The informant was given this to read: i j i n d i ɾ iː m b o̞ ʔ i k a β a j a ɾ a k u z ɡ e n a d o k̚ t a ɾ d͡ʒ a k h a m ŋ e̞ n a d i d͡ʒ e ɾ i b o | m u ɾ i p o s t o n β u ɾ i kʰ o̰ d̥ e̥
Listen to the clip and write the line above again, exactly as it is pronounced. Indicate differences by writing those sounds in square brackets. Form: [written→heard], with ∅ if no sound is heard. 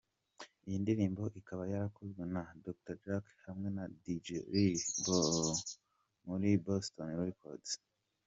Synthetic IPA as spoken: i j i n d i ɾ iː m b o̞ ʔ i k a β a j a ɾ a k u z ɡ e n a d o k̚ t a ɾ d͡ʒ a k h a m ŋ e̞ n a d i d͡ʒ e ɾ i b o | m u ɾ i [p→b] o s t o n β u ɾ i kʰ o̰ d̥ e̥